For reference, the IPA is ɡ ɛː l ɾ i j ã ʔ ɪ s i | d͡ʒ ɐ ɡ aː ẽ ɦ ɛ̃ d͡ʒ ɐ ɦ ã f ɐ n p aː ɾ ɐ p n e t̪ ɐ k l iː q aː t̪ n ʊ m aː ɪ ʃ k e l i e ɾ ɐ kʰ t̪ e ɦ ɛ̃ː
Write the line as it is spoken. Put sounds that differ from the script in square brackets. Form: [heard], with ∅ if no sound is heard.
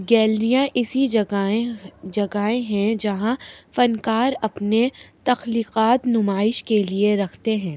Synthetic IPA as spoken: ɡ ɛː l ɾ i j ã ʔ ɪ s i | d͡ʒ ɐ ɡ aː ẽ ɦ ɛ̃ d͡ʒ ɐ ɦ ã f ɐ n [k] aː ɾ ɐ p n e t̪ ɐ [x] l iː q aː t̪ n ʊ m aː ɪ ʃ k e l i e ɾ ɐ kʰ t̪ e ɦ ɛ̃ː